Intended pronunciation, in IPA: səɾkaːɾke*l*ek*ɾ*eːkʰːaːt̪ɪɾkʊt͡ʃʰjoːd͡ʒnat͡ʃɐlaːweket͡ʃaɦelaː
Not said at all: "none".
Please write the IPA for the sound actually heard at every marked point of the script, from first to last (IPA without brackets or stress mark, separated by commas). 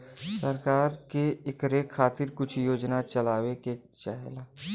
none, ɾ